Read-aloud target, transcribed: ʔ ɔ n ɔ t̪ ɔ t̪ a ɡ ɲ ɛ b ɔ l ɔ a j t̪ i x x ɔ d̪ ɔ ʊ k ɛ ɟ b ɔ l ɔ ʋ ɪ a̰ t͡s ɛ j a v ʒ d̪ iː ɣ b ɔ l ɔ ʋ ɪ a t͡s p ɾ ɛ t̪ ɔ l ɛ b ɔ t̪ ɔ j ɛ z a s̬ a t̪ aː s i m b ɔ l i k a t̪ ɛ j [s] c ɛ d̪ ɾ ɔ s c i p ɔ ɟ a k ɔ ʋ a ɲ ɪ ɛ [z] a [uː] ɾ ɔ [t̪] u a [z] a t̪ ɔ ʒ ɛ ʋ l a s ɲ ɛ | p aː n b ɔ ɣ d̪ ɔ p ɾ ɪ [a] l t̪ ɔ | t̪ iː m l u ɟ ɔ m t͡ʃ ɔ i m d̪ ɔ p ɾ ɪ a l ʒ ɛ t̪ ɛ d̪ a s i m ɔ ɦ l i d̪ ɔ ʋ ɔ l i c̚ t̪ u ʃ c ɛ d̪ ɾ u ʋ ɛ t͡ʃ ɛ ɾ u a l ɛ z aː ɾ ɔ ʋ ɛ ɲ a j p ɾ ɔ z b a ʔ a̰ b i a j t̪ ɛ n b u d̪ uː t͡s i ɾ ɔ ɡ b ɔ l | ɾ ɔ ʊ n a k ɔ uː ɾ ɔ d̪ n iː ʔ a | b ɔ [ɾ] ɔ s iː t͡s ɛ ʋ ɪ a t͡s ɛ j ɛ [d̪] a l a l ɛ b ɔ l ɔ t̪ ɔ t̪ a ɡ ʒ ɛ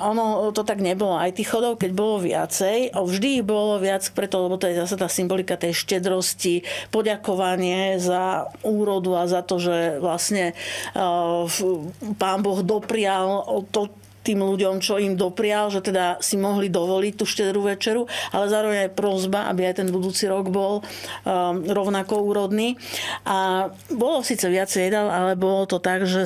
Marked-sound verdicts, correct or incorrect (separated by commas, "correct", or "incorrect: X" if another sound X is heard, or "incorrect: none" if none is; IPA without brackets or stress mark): incorrect: ʃ, correct, correct, incorrect: d̪, correct, correct, incorrect: l, correct